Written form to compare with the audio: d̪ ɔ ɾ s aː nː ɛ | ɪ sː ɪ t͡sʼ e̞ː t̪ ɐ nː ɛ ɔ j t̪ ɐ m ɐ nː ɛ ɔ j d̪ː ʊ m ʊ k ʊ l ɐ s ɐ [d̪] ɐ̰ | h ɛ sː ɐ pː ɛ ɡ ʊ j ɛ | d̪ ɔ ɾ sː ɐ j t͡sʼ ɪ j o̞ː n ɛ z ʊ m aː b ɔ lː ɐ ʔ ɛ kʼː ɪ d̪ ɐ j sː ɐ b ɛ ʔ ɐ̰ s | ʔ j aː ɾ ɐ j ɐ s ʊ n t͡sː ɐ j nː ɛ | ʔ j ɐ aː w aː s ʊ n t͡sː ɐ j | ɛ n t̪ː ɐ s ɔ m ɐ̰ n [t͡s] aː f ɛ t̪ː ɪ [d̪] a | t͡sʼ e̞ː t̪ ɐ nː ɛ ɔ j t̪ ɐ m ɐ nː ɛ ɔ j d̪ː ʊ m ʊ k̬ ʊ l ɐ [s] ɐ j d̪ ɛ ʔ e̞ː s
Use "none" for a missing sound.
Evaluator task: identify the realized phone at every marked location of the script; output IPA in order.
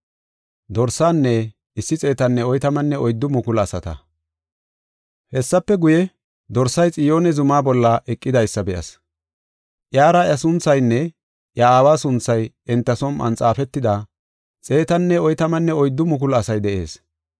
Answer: t̪, t͡sʼ, d̪, s

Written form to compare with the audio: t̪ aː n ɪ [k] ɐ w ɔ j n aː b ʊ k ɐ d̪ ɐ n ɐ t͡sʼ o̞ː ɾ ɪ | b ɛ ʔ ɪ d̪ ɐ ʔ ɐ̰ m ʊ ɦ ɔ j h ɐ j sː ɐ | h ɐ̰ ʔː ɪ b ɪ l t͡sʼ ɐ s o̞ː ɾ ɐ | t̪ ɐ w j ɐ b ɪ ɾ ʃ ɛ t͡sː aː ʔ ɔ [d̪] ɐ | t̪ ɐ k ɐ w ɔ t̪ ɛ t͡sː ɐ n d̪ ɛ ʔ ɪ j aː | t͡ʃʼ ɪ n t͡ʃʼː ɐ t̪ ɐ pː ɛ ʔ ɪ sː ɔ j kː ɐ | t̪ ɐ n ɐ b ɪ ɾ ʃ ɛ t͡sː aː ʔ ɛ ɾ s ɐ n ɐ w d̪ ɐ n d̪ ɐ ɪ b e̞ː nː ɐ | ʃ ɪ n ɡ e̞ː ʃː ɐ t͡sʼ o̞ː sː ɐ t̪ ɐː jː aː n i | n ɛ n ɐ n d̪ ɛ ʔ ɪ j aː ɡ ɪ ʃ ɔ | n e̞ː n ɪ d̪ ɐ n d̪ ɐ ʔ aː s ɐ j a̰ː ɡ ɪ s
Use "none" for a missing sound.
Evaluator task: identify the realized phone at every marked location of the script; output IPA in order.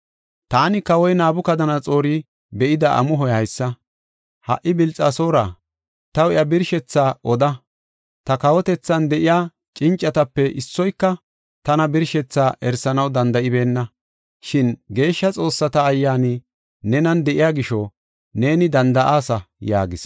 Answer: k, d̪

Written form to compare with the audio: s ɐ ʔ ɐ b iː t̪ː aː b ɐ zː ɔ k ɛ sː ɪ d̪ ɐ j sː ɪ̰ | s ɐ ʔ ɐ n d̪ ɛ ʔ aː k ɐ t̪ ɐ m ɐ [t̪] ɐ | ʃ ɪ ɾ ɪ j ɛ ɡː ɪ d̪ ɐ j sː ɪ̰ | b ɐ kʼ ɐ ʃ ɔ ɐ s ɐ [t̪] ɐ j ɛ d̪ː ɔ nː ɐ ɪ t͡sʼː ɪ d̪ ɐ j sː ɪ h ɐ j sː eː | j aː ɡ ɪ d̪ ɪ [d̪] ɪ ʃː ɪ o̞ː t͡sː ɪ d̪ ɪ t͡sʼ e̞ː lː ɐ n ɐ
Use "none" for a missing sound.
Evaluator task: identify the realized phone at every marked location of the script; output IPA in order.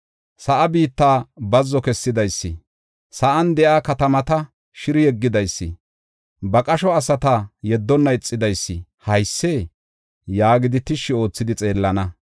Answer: t̪, t̪, t̪

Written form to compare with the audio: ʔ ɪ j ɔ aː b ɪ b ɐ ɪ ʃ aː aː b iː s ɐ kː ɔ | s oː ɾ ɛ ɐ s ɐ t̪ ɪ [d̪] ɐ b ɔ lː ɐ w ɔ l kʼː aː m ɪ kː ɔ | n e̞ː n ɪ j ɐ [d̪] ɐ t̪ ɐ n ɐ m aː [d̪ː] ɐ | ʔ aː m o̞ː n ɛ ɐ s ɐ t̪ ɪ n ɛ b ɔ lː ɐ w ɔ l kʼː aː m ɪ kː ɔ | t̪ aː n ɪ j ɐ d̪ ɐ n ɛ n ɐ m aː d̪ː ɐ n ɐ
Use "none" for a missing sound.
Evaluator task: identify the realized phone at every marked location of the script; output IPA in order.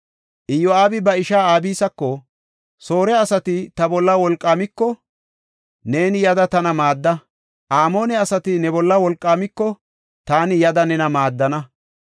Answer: t̪, d̪, d̪ː

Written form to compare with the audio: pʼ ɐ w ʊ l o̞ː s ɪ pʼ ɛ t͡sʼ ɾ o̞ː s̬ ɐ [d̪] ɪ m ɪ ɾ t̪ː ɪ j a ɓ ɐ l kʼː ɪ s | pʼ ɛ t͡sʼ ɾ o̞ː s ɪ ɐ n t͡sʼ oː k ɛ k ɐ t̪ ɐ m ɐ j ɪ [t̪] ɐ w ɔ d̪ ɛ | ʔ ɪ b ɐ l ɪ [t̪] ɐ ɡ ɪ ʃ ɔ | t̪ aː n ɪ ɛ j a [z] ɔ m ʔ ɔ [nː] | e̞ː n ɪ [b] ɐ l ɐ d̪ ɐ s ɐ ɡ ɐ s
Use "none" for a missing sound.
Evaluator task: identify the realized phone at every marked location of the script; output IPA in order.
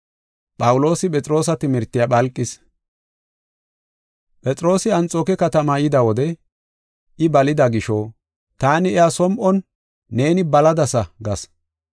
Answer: t̪, d̪, d̪, s, nː, b

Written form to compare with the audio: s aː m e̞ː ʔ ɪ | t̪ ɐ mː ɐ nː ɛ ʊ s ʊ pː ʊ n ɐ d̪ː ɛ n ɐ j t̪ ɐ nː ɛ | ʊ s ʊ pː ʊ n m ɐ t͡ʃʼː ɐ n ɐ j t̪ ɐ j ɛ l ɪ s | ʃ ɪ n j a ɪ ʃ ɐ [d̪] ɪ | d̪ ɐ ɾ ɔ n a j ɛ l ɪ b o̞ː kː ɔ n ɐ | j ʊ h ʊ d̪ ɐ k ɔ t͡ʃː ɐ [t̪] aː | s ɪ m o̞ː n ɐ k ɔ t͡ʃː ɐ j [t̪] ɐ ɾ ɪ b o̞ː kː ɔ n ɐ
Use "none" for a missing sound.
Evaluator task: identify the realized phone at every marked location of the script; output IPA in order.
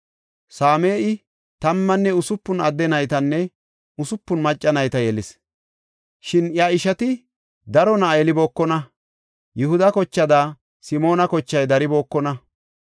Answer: t̪, d̪, d̪

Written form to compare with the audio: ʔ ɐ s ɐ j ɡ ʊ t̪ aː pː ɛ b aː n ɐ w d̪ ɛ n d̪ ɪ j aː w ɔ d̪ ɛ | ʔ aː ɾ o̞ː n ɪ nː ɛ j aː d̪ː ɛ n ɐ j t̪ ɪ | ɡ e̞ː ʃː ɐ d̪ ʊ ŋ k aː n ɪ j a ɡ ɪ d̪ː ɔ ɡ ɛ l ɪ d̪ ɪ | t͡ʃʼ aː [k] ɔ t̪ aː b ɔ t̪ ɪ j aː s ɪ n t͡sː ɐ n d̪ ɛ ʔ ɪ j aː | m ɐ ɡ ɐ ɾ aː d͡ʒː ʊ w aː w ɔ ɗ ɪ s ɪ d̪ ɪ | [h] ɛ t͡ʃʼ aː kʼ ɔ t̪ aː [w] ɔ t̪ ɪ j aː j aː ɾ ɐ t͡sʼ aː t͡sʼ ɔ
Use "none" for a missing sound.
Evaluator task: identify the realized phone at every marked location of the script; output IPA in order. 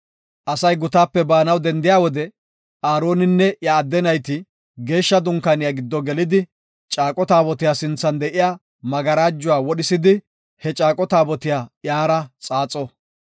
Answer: kʼ, h, b

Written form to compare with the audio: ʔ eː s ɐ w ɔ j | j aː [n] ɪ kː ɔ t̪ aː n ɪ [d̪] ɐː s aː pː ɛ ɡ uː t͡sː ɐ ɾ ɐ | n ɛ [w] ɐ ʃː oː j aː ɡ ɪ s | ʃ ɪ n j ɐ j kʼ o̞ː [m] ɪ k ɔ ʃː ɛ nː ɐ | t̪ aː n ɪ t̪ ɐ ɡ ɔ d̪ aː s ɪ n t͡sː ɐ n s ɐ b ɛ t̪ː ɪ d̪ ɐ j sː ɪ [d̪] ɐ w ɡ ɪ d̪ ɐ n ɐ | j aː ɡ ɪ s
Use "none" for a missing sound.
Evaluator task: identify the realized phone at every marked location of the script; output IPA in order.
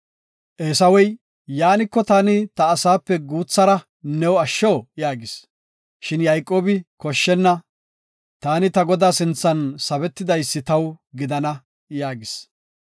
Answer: n, t̪, w, b, t̪

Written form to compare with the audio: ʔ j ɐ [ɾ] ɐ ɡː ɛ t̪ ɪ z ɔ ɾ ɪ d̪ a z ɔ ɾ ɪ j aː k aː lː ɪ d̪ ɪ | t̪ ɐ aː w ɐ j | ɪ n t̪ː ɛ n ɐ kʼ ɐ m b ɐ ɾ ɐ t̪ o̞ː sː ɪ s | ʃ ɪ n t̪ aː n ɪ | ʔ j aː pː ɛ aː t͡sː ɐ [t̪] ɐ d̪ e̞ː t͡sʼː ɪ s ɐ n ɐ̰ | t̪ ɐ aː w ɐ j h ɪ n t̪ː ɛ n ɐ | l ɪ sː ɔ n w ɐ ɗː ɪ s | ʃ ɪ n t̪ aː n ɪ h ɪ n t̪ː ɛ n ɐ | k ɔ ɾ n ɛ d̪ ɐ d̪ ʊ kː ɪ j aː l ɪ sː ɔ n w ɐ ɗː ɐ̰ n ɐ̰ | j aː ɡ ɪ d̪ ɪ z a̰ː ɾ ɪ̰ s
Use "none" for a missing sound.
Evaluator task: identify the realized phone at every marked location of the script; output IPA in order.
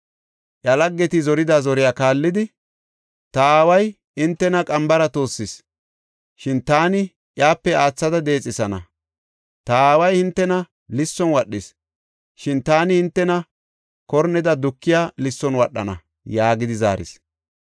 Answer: l, d̪

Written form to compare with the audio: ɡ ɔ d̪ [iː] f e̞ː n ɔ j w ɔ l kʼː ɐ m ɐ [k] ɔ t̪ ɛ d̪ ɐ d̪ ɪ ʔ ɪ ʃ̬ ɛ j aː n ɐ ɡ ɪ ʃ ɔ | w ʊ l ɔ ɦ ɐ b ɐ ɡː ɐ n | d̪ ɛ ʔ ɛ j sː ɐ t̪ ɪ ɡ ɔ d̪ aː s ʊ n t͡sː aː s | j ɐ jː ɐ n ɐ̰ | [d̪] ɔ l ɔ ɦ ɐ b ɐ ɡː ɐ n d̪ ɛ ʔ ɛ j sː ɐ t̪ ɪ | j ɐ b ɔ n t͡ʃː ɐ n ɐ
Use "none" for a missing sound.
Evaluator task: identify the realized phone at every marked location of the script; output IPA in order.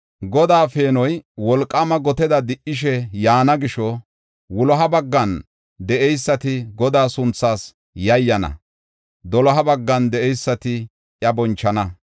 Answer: aː, ɡ, d̪

